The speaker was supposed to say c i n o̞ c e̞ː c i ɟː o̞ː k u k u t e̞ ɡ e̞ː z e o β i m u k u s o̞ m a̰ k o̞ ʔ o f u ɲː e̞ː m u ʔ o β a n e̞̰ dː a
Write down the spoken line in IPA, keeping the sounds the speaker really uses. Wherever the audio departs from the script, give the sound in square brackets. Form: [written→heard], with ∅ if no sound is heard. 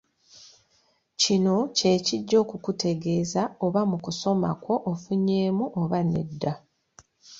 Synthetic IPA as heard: c i n o̞ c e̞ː c i ɟː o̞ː k u k u t e̞ ɡ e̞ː z [e→a] o β [i→a] m u k u s o̞ m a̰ k o̞ ʔ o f u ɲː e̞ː m u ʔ o β a n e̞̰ dː a

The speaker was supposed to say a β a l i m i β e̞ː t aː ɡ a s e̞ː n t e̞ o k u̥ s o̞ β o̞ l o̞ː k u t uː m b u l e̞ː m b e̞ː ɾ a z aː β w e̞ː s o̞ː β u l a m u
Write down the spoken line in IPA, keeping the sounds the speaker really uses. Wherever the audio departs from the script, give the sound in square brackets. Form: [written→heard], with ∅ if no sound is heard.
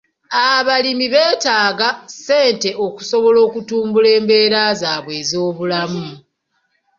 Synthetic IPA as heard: a β a l i m i β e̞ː t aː ɡ a s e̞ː n t e̞ o k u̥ s o̞ β o̞ l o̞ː k u t uː m b u l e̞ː m b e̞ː ɾ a z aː β w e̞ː [s→z] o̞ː β u l a m u

